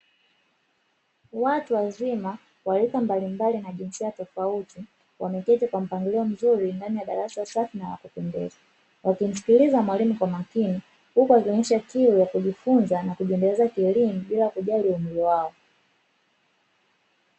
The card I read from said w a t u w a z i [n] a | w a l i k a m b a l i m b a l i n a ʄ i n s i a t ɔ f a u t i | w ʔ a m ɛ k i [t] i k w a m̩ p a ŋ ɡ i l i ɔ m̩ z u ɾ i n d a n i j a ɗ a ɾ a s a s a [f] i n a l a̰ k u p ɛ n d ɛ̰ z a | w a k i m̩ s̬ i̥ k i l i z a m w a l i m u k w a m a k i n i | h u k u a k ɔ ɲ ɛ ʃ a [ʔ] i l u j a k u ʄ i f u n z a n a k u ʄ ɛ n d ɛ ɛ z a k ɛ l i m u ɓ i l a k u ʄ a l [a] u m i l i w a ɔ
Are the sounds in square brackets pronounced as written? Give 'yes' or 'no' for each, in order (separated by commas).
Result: no, yes, yes, no, no